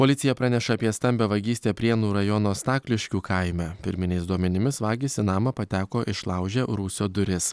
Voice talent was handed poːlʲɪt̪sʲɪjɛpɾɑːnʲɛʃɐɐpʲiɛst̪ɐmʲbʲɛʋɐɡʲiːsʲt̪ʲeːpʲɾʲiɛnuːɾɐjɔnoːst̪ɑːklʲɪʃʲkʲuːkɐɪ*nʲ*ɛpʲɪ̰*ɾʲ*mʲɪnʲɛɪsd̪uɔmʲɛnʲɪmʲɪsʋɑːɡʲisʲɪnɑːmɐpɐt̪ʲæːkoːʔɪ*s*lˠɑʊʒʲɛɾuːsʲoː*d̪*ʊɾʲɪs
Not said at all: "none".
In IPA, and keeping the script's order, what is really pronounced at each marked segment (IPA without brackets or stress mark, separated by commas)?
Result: mʲ, ɾʲ, ʃ, d̪